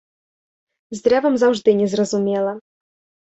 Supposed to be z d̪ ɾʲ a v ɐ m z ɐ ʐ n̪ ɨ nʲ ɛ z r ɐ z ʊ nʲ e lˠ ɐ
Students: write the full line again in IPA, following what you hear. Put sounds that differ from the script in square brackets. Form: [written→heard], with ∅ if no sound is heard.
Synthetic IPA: z d̪ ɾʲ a v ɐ m z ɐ ʐ [n̪→d̪] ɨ nʲ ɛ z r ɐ z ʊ [nʲ→mʲ] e lˠ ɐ